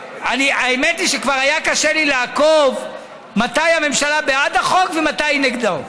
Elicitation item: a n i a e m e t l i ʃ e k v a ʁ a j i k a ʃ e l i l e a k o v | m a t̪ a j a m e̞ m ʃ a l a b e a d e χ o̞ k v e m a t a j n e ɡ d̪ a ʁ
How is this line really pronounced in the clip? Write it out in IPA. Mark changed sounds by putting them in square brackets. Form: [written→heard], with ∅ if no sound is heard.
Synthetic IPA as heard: a n i a e m e t l i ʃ e k v a ʁ a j [i→a] k a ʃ e l i l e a k o v | m a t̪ a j a m e̞ m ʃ a l a b e a d [e→a] χ o̞ k v e m a t a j n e ɡ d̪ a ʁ

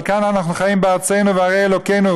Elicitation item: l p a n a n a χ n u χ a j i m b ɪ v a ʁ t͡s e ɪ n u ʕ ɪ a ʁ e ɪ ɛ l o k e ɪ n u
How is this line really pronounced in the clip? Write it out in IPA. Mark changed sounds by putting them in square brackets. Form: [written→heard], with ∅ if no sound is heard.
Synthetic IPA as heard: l [p→k] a n a n a χ n u χ a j i m b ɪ [v→∅] a ʁ t͡s e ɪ n u [ʕ→v] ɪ a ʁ e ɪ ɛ l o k e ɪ n u

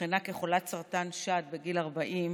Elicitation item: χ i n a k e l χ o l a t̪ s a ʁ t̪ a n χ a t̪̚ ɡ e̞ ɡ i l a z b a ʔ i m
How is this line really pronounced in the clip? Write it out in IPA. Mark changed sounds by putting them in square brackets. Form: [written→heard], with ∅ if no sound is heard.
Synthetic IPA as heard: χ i n a k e [l→∅] χ o l a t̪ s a ʁ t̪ a n [χ→ʃ] a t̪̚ [ɡ→b] e̞ ɡ i l a [z→ʁ] b a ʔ i m

